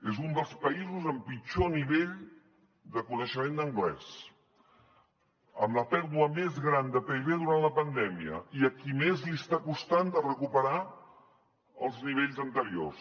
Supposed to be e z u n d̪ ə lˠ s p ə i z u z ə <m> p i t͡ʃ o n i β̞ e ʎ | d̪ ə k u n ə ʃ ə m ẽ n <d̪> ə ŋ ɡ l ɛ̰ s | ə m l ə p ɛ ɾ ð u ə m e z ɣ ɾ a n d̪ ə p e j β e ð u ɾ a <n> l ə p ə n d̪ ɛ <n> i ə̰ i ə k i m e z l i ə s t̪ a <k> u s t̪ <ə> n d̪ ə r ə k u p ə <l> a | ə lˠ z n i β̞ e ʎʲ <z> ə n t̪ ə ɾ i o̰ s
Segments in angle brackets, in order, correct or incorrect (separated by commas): correct, correct, correct, incorrect, correct, incorrect, incorrect, correct